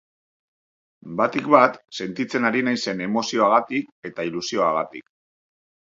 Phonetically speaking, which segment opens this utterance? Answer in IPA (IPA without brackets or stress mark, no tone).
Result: b